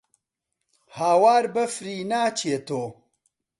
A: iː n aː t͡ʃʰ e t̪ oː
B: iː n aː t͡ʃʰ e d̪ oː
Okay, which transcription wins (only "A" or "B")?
A